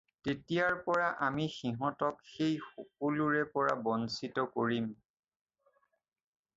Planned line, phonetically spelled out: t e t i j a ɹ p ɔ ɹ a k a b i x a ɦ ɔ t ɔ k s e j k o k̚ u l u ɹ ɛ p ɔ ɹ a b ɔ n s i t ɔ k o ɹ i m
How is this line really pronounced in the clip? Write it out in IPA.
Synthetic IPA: t e t i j a ɹ p ɔ ɹ a ʔ a m i x i ɦ ɔ t ɔ k x e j x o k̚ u l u ɹ ɛ p ɔ ɹ a b ɔ n s i t ɔ k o ɹ i m